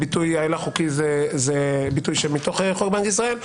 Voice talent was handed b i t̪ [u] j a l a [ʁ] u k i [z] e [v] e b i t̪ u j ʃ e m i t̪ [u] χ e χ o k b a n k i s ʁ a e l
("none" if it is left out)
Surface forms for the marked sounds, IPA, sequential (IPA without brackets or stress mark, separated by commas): u, χ, z, z, o